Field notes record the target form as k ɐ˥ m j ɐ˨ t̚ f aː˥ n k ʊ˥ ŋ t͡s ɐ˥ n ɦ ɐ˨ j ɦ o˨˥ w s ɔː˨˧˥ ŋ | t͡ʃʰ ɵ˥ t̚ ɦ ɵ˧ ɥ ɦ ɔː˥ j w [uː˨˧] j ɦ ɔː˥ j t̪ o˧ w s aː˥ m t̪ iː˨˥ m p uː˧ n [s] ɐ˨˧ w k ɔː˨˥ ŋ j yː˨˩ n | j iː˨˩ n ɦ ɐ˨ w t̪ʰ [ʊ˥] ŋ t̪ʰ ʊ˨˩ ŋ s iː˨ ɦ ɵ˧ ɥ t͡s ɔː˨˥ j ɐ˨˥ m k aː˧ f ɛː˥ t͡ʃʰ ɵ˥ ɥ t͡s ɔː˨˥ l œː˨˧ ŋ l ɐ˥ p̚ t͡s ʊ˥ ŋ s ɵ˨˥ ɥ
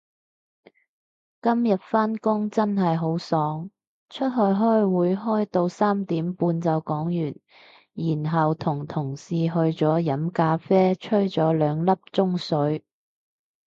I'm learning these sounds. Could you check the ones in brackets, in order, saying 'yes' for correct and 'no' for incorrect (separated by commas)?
yes, no, no